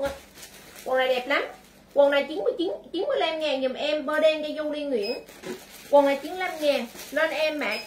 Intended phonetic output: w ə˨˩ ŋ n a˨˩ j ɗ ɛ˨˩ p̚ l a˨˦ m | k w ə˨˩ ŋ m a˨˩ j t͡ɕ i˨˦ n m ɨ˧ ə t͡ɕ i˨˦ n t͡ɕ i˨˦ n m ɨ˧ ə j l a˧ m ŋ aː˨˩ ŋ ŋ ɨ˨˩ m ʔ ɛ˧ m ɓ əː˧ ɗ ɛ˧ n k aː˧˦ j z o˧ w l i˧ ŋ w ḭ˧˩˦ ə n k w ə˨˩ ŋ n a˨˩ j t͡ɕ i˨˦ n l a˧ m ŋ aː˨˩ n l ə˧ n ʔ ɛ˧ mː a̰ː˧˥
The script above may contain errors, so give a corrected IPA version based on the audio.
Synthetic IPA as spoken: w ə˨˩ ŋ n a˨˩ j ɗ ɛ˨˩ p̚ l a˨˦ m | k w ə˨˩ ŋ n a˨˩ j t͡ɕ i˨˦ n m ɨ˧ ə t͡ɕ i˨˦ n t͡ɕ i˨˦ n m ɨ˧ ə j l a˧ m ŋ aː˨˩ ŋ ɲ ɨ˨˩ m ʔ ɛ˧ m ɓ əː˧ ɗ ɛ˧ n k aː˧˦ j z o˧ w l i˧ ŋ w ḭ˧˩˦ ə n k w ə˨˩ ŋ n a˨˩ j t͡ɕ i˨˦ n l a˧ m ŋ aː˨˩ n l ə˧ n ʔ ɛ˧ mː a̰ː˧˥